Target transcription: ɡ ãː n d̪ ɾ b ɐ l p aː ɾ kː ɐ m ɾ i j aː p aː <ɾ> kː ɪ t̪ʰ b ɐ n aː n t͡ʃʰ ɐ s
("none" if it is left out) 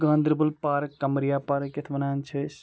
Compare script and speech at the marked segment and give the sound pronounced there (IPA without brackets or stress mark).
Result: ɾ